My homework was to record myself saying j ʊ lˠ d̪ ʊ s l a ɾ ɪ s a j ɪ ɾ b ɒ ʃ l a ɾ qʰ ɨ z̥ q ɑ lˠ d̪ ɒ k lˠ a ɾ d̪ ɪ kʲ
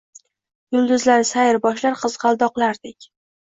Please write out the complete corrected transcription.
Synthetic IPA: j ʊ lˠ d̪ ʊ z l a ɾ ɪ s a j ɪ ɾ b ɒ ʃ l a ɾ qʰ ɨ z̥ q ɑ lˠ d̪ ɒ q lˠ a ɾ d̪ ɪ kʲ